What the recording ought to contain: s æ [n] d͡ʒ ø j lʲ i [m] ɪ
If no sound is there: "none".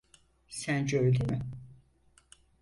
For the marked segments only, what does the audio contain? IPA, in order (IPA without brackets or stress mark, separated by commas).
n, m